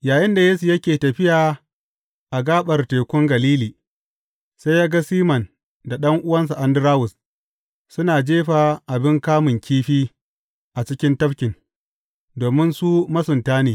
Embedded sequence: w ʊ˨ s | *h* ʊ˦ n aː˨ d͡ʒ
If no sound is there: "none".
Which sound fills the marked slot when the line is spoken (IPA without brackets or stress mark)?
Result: s